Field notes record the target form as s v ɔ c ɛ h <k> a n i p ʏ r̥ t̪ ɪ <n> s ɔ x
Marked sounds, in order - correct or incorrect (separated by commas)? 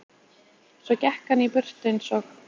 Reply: correct, correct